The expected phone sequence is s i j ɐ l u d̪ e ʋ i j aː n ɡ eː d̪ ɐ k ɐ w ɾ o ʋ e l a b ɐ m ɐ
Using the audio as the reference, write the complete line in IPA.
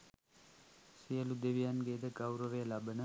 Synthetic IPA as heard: s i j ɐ l u d̪ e ʋ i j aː n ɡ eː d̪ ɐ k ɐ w ɾ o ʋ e l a b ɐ n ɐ